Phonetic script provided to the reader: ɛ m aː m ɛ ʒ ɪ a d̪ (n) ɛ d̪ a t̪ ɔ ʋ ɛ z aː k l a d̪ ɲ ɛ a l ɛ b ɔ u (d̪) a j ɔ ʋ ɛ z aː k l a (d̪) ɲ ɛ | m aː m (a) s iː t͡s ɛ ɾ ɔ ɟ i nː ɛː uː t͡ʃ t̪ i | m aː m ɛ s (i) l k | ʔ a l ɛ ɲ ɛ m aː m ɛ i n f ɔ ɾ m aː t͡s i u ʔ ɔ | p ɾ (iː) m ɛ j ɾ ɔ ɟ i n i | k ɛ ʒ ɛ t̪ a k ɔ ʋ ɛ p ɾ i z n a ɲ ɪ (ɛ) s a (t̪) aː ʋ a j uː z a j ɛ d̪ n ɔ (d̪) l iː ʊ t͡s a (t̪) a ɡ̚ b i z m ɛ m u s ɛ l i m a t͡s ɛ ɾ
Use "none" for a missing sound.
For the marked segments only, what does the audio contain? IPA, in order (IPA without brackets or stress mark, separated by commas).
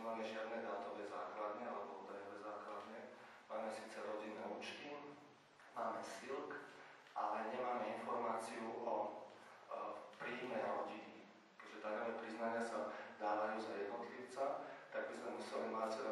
n, d̪, d̪, ɛ, i, iː, a, d̪, t̪, t̪